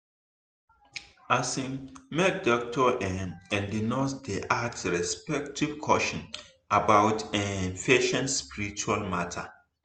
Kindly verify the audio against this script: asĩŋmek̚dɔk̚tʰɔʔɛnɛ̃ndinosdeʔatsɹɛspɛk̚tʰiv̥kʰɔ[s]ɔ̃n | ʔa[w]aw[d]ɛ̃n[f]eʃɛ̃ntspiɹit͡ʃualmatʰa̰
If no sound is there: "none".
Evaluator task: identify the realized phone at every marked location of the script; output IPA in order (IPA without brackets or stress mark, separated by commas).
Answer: ʃ, b, t, f